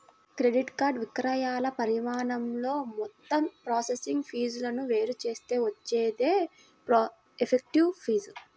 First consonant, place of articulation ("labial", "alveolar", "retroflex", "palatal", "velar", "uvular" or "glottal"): velar